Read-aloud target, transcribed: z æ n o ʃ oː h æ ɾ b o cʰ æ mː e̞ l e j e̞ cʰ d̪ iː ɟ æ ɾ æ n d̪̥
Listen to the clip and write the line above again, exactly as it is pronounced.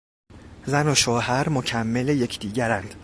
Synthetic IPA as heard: z æ n o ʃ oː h æ ɾ m o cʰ æ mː e̞ l e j e̞ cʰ d̪ iː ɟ æ ɾ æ n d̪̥